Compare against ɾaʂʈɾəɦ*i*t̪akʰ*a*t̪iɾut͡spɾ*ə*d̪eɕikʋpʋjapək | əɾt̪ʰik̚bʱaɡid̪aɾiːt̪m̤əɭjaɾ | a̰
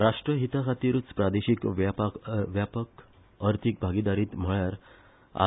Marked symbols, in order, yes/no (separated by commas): yes, yes, no